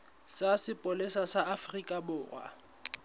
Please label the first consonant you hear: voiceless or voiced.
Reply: voiceless